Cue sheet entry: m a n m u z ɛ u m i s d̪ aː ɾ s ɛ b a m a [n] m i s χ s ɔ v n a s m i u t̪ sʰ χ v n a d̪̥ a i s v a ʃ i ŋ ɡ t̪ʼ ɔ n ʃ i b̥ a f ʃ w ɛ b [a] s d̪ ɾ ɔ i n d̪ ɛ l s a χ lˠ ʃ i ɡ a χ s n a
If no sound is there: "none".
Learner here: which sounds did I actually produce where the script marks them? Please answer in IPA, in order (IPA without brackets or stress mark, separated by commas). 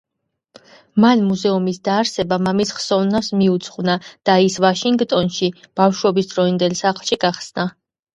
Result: none, i